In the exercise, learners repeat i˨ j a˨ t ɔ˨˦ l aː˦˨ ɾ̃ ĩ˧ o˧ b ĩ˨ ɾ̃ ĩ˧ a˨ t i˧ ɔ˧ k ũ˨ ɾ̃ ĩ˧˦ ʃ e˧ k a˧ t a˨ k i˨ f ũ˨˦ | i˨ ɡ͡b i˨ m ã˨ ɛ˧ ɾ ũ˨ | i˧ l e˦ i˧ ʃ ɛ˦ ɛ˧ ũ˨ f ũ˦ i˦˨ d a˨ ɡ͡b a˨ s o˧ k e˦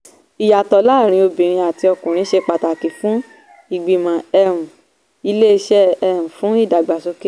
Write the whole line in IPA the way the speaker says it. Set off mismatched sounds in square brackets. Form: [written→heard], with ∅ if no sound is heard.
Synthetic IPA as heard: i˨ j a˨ t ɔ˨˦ l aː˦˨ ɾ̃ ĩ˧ o˧ b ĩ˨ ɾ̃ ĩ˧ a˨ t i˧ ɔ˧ k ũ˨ ɾ̃ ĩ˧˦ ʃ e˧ [k→k͡p] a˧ t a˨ k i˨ f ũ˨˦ | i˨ ɡ͡b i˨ m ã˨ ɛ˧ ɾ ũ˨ | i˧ l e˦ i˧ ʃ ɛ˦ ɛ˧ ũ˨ f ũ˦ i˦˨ d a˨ ɡ͡b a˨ s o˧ k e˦